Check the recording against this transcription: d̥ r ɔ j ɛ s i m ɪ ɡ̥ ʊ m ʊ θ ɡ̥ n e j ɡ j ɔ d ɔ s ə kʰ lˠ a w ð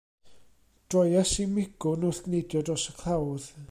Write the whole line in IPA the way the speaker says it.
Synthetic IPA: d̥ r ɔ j a s i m ɪ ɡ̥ ʊ n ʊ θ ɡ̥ n e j d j ɔ d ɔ s ə kʰ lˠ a w ð